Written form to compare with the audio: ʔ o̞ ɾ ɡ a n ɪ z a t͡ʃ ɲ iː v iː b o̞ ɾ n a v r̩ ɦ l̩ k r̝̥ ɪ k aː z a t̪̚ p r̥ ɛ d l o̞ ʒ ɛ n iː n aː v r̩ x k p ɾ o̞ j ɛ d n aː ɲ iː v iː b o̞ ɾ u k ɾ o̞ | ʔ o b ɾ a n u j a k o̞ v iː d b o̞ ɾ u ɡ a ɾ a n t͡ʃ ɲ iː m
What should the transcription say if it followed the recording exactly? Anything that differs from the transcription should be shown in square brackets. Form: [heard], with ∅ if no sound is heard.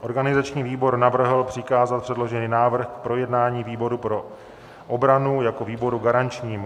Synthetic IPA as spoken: ʔ o̞ ɾ ɡ a n ɪ z a t͡ʃ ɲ iː v iː b o̞ ɾ n a v r̩ ɦ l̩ [p] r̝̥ ɪ k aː z a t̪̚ p r̥ ɛ d l o̞ ʒ ɛ n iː n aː v r̩ x k p ɾ o̞ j ɛ d n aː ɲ iː v iː b o̞ ɾ u [p] ɾ o̞ | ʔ o b ɾ a n u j a k o̞ v iː [∅] b o̞ ɾ u ɡ a ɾ a n t͡ʃ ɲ iː m